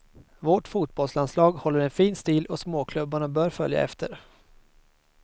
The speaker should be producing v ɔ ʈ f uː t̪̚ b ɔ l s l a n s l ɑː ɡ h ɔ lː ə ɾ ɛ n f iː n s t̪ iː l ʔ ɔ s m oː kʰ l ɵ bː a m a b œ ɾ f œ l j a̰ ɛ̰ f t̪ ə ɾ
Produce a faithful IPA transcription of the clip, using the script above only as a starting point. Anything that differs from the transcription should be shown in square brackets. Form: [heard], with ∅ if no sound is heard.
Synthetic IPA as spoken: v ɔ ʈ f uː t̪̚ b ɔ l s l a n s l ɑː ɡ h ɔ lː ə ɾ ɛ n f iː n s t̪ iː l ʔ ɔ s m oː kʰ l ɵ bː a [ɳ] a b [œː] ɾ f œ l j a̰ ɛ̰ f t̪ ə ɾ